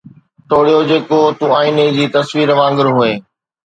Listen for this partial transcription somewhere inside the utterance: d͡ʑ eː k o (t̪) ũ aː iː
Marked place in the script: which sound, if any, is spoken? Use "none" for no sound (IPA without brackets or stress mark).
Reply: t̪